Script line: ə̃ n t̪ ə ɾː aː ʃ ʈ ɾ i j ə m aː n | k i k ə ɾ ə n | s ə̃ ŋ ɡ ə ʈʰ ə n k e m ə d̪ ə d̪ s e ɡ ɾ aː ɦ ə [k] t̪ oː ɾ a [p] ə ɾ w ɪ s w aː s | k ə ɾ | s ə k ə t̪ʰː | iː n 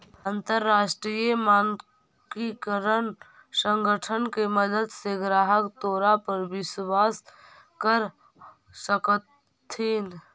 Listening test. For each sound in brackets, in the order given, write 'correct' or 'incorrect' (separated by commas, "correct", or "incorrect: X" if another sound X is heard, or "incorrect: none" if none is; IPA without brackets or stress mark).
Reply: correct, correct